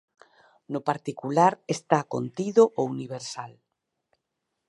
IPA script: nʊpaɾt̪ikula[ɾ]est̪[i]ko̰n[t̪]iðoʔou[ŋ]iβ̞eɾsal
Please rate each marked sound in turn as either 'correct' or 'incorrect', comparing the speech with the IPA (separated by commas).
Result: correct, incorrect, correct, incorrect